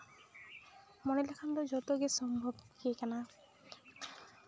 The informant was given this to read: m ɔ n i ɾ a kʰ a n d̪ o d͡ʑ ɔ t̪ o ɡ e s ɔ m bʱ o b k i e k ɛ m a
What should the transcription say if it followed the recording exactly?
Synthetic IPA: m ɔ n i l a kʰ a n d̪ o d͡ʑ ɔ t̪ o ɡ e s ɔ m bʱ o b k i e k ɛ n a